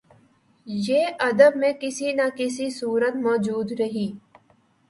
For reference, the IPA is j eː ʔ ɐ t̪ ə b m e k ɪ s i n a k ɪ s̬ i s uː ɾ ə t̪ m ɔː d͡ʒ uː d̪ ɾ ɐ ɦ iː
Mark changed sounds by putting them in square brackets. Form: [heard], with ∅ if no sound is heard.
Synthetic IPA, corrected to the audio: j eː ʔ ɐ [d̪] ə b m [ẽ] k ɪ s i n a k ɪ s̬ i s uː ɾ ə t̪ m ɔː d͡ʒ uː d̪ ɾ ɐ ɦ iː